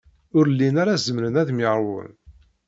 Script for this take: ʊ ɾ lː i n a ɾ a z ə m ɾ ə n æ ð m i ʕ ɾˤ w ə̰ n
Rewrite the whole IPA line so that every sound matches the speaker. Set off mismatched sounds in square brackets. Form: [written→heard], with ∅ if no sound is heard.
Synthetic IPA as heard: ʊ ɾ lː i n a ɾ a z ə m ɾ ə n æ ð m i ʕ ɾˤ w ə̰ n